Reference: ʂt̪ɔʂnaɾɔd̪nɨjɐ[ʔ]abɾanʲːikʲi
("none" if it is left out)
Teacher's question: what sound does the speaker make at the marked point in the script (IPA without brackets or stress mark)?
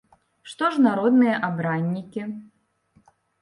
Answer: ʔ